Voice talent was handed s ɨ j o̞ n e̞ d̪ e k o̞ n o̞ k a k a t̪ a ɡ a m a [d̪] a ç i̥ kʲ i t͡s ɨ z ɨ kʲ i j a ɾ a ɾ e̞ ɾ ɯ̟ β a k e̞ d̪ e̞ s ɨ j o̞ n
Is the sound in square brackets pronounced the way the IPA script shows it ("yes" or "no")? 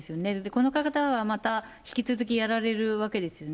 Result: no